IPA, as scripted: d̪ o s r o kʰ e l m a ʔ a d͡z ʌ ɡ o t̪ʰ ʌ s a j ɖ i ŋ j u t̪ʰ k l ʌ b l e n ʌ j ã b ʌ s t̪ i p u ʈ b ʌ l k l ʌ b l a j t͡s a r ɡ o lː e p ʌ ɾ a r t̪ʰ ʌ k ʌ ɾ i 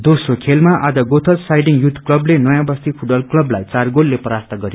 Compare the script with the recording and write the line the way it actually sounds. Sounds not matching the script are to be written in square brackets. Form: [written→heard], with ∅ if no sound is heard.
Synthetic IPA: d̪ o s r o kʰ e l m a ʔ a d͡z ʌ ɡ o t̪ʰ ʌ s a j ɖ i ŋ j u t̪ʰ k l ʌ b l e n ʌ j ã b ʌ s t̪ i [p→pʰ] u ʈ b ʌ l k l ʌ b l a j t͡s a r ɡ o lː e p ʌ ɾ a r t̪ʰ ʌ [k→ɡ] ʌ ɾ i